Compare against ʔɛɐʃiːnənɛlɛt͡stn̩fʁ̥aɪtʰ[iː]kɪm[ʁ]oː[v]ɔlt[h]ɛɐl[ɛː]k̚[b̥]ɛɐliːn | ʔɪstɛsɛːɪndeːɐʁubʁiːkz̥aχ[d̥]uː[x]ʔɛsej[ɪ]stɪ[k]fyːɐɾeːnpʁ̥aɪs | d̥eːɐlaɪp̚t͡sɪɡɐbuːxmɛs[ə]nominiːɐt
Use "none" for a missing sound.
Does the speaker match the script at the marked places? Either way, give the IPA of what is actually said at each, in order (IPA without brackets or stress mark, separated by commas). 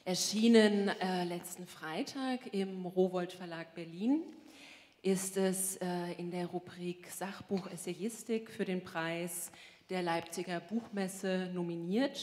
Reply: aː, ʁ, v, f, aː, b̥, b̥, x, ɪ, k, ə